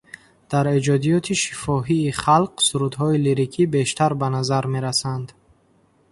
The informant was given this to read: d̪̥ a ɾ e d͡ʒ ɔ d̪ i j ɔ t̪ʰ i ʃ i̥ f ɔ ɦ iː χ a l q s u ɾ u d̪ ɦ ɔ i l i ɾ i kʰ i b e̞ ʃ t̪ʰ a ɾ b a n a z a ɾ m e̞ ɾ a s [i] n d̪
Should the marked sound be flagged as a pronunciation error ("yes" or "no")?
yes